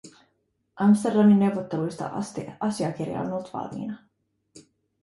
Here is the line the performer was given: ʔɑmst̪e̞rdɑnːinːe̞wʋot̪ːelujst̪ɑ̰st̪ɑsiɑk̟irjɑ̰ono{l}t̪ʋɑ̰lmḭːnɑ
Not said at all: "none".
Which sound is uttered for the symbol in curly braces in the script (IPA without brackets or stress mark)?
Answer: l